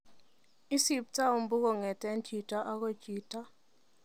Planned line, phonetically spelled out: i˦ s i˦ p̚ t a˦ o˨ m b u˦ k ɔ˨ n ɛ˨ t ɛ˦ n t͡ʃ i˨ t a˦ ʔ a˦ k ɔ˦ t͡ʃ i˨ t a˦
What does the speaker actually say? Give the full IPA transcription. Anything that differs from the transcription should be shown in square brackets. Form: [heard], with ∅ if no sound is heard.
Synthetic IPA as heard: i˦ s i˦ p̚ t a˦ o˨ m b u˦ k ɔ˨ [ŋ] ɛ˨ t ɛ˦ n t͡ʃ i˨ t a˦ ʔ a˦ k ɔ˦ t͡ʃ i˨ t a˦